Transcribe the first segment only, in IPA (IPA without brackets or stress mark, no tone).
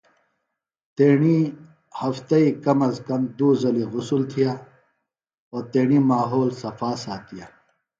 t̪